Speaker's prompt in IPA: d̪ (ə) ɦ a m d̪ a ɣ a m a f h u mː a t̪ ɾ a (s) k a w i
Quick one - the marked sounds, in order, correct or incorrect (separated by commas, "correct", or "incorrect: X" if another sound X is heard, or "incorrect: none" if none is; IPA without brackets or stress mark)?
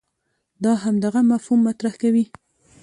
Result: incorrect: ɑ, incorrect: h